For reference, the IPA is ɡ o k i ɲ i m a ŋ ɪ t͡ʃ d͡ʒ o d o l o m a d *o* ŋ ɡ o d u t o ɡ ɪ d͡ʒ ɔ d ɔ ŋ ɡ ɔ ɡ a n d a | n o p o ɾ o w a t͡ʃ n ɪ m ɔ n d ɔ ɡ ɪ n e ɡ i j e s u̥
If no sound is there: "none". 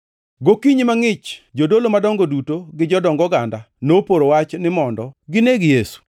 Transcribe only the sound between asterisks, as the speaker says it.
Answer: ɔ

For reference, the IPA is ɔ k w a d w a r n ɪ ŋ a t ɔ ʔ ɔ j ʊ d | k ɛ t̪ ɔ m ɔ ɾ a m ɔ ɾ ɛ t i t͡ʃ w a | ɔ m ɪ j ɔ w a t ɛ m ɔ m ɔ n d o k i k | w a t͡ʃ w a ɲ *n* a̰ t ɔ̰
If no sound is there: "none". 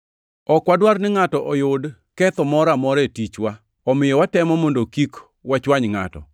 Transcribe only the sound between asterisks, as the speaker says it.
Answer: ŋ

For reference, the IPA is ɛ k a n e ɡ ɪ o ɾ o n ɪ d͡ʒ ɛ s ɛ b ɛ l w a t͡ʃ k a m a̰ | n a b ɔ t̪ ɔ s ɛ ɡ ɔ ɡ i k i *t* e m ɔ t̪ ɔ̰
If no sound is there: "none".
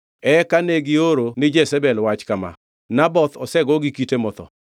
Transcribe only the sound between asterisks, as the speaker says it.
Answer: t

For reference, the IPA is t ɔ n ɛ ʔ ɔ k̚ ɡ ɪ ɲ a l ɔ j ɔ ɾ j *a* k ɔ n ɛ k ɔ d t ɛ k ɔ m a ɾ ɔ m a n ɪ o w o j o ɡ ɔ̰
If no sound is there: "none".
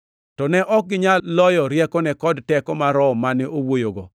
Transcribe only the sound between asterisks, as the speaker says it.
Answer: ɛ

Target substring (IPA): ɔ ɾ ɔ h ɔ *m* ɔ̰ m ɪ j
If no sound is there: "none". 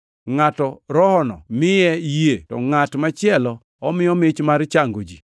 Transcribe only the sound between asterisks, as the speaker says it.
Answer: n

